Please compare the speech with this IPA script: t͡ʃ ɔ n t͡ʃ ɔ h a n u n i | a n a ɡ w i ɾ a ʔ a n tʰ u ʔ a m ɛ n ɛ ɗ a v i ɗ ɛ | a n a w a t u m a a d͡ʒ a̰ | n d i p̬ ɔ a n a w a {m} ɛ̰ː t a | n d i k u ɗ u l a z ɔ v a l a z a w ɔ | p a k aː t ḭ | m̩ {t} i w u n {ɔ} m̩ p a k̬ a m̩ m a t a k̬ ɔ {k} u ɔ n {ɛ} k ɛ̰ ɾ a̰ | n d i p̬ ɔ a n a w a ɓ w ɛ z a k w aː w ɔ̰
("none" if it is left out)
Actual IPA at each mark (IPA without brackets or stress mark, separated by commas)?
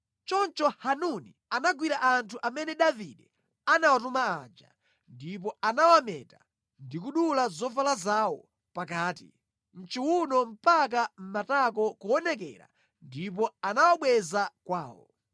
m, t͡ʃ, ɔ, k, ɛ